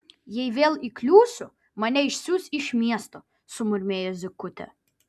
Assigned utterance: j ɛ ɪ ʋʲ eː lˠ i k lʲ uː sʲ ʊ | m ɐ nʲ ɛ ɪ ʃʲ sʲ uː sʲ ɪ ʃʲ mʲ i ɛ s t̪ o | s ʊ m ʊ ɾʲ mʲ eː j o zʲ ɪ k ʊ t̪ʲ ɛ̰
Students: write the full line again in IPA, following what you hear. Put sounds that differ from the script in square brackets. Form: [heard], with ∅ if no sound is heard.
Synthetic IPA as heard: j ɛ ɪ ʋʲ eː lˠ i k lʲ uː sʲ ʊ | m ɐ nʲ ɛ ɪ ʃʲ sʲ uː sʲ ɪ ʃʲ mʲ i ɛ s t̪ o | s ʊ m ʊ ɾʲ mʲ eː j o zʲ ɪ k ʊ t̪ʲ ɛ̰